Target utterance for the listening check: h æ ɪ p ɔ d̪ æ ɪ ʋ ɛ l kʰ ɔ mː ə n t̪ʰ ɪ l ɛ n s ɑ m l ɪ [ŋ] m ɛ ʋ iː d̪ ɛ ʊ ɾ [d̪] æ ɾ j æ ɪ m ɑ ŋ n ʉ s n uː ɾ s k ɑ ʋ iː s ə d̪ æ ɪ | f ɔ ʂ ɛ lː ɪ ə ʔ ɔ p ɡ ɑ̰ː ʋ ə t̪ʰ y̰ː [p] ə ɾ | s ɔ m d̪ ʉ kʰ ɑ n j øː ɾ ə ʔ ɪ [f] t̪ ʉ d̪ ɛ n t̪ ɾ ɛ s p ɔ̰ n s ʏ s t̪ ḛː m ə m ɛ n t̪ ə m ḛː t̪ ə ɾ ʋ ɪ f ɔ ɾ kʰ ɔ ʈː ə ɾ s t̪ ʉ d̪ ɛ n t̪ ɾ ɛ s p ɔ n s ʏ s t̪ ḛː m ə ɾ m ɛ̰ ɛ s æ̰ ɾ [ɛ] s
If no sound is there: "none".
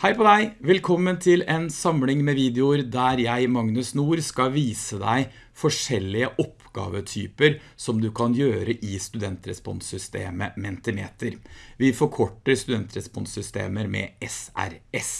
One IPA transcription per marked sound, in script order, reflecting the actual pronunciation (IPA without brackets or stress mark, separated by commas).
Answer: ŋ, d̪, p, s, ɛ